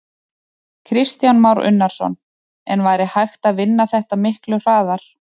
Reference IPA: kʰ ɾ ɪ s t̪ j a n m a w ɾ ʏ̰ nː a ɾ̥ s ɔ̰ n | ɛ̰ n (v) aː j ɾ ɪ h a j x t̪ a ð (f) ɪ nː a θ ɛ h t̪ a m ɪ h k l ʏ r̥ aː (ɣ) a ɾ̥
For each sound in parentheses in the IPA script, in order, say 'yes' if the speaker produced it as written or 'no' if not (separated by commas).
yes, no, no